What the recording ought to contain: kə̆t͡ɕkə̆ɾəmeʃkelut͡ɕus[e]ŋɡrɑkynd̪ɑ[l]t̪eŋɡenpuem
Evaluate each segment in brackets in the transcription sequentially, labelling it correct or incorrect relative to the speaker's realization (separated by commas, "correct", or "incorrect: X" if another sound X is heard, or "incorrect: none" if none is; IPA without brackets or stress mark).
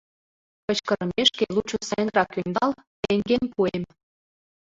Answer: incorrect: æ, correct